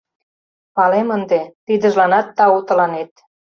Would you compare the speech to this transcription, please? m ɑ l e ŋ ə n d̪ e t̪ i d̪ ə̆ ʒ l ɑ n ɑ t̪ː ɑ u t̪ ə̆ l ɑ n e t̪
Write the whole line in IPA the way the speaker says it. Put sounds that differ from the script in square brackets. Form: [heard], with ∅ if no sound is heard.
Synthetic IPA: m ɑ l e [m] ə n d̪ e t̪ i d̪ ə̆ ʒ l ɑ n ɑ t̪ː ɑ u t̪ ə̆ l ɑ n e t̪